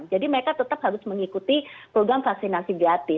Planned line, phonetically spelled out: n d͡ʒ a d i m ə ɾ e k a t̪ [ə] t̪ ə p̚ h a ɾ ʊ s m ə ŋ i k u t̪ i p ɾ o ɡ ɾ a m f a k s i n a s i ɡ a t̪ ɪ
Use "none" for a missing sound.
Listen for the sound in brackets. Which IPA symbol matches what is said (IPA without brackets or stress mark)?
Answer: ə